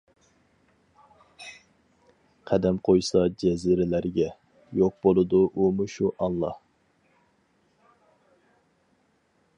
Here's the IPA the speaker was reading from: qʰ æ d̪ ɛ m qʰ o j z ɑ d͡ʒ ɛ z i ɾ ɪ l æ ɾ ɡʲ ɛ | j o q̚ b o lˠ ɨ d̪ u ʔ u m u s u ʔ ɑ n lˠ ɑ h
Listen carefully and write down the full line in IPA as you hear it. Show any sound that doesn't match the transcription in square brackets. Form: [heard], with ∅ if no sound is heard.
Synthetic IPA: qʰ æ d̪ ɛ m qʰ o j [s] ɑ d͡ʒ ɛ z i ɾ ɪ l æ ɾ ɡʲ ɛ | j o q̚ b o lˠ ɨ d̪ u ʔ u m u [ʃ] u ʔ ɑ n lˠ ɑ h

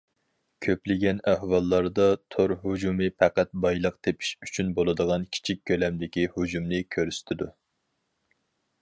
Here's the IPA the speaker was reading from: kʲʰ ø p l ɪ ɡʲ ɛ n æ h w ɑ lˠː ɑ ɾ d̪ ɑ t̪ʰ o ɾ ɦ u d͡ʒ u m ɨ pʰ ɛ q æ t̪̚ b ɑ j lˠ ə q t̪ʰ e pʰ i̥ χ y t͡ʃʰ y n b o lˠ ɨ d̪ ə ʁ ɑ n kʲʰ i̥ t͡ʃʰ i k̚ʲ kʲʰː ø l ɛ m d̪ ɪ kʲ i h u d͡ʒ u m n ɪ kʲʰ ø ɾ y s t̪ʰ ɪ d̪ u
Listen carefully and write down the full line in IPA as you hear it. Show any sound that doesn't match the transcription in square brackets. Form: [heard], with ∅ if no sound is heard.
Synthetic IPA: kʲʰ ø p l ɪ ɡʲ ɛ n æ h w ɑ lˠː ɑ ɾ d̪ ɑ t̪ʰ o ɾ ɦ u d͡ʒ u m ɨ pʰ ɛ q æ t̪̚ b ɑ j lˠ ə q t̪ʰ e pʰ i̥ [ʃ] y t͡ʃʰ y n b o lˠ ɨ d̪ ə ʁ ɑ n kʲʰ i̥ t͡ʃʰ i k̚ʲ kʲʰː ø l ɛ m d̪ ɪ kʲ i h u d͡ʒ u m n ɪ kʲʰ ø ɾ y s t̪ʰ ɪ d̪ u

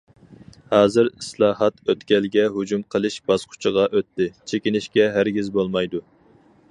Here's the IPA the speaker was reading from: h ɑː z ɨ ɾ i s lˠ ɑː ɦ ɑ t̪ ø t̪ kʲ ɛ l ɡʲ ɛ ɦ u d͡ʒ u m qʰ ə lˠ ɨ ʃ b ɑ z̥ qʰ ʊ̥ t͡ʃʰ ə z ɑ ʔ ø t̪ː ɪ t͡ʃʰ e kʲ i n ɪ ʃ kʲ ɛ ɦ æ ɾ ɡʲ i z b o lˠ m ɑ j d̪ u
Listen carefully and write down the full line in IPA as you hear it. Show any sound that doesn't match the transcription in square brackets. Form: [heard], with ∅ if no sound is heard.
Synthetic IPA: h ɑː z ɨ ɾ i s lˠ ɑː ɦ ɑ t̪ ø t̪ kʲ ɛ l ɡʲ ɛ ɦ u d͡ʒ u m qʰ ə lˠ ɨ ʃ b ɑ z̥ qʰ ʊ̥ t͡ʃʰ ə [ʁ] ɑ ʔ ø t̪ː ɪ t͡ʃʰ e kʲ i n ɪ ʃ kʲ ɛ ɦ æ ɾ ɡʲ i z b o lˠ m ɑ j d̪ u

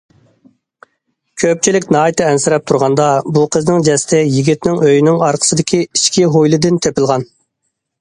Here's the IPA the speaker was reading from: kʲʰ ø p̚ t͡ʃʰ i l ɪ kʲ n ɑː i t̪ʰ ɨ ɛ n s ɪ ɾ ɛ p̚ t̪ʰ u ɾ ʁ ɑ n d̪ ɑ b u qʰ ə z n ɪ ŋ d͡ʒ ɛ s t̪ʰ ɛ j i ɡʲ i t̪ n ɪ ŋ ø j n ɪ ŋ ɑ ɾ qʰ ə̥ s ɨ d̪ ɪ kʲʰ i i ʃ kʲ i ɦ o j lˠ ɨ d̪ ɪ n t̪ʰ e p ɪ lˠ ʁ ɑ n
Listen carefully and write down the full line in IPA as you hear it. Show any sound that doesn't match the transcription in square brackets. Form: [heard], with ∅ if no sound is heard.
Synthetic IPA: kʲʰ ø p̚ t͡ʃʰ i l ɪ kʲ n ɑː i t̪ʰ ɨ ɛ n s ɪ ɾ ɛ p̚ t̪ʰ u ɾ ʁ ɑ n d̪ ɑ b u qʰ ə z n ɪ ŋ d͡ʒ ɛ s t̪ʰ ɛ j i ɡʲ i t̪ n ɪ ŋ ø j n ɪ ŋ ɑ ɾ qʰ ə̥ s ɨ d̪ ɪ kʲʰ i i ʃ kʲ i ɦ o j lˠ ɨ d̪ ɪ n t̪ʰ e p ɪ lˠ ʁ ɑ n

